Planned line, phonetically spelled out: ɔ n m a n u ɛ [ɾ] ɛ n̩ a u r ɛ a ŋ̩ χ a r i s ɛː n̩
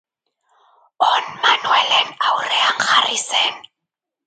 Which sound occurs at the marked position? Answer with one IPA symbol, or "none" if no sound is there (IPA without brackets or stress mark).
l